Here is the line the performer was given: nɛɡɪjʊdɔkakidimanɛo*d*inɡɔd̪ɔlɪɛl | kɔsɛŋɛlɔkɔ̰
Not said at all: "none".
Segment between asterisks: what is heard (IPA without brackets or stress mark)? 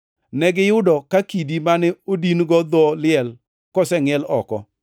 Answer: d